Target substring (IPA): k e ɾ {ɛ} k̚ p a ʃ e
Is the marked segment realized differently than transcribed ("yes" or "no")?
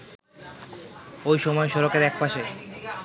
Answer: no